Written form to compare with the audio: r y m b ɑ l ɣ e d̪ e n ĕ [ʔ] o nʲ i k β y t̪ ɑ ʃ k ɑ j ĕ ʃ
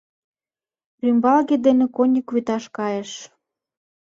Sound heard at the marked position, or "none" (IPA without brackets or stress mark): k